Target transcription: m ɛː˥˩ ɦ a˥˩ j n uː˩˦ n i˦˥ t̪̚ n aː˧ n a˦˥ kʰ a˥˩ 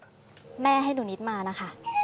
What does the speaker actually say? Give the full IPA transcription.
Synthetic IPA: m ɛː˥˩ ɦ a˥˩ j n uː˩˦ n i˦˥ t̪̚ m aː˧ n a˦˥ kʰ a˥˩